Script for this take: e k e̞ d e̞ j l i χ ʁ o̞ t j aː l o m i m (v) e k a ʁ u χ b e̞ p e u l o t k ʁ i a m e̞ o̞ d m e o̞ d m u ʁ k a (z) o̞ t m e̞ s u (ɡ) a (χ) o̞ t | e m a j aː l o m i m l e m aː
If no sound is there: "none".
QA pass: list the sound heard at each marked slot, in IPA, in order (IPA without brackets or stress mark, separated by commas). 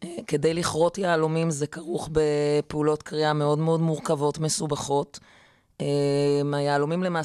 z, v, b, χ